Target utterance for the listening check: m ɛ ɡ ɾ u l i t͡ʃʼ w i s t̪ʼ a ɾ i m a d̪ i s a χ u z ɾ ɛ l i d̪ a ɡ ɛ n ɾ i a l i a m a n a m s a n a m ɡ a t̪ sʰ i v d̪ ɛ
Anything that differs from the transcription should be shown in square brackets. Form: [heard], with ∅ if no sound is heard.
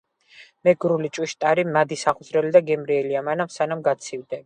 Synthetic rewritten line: m ɛ ɡ ɾ u l i t͡ʃʼ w i [ʃ] t̪ʼ a ɾ i m a d̪ i s a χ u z ɾ ɛ l i d̪ a ɡ ɛ [m] ɾ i [ɛ] l i a m a n a m s a n a m ɡ a t̪ sʰ i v d̪ ɛ